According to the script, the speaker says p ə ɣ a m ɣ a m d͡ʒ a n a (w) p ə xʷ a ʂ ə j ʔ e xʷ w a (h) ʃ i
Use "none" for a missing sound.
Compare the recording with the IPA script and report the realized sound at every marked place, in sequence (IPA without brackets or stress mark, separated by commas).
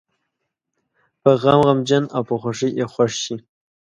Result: w, ʂ